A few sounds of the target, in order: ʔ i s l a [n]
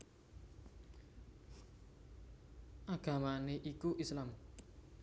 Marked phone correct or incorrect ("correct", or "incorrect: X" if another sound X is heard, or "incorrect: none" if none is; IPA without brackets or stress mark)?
incorrect: m